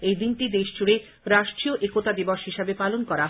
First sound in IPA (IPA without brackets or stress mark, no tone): e